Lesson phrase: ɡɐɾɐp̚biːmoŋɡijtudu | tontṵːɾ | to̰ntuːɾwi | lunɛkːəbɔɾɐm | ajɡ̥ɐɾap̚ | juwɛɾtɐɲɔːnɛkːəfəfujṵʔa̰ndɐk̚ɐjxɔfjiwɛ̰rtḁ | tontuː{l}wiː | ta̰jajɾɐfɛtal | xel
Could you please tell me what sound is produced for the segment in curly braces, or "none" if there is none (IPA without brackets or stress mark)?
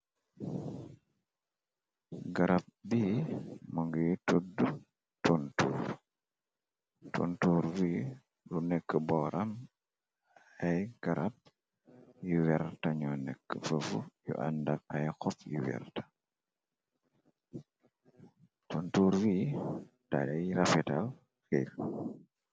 ɾ